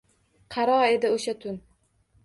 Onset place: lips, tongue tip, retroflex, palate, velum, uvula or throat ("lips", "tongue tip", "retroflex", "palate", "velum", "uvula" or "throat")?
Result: uvula